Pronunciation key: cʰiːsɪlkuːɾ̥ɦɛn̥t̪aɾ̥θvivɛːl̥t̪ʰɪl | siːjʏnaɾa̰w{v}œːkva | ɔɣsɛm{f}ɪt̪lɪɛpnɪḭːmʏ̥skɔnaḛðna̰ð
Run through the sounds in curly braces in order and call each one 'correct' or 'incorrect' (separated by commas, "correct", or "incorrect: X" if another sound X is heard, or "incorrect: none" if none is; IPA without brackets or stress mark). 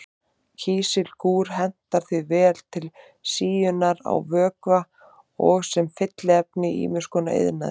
correct, correct